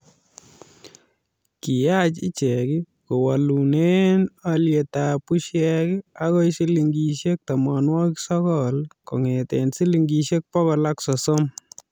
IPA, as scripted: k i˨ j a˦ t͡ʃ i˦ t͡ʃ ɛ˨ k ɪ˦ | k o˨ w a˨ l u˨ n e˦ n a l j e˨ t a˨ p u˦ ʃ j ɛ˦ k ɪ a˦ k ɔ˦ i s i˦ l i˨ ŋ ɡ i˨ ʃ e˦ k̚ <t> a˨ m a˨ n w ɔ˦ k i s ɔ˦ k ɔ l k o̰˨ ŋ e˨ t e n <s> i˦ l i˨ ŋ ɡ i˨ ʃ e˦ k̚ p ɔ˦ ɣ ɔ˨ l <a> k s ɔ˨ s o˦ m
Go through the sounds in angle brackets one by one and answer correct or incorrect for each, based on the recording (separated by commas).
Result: correct, correct, correct